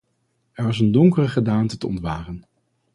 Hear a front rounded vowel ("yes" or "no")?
no